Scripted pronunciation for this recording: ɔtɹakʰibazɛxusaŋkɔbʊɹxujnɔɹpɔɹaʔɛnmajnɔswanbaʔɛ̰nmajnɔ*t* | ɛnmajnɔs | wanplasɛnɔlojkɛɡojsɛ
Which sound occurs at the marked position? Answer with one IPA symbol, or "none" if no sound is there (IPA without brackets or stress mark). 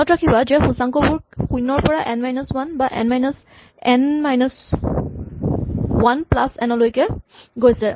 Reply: s